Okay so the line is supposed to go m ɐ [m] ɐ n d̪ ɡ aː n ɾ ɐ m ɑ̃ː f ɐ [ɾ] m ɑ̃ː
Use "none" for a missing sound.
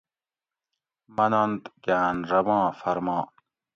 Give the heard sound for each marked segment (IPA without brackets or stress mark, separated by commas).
n, ɾ